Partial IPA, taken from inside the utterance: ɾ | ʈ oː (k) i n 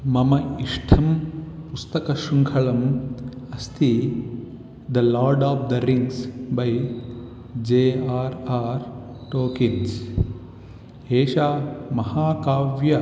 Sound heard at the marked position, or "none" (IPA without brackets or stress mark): k